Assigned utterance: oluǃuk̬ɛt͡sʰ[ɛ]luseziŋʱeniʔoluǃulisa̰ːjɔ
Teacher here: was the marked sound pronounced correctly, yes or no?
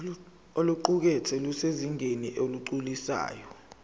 yes